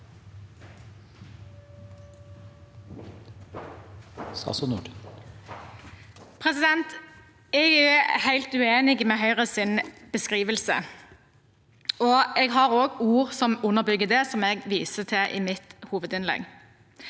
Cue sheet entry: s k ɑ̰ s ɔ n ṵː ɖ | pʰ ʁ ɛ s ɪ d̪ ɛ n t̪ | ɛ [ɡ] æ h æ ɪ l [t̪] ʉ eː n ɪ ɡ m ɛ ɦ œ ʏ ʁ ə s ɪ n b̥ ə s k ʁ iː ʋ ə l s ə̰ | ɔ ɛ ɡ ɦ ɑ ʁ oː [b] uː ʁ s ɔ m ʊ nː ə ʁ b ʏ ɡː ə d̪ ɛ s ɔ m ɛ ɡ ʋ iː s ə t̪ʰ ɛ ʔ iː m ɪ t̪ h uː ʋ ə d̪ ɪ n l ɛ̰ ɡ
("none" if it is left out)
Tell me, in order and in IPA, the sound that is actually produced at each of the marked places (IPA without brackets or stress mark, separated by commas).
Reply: ɡ, t̪, ɡ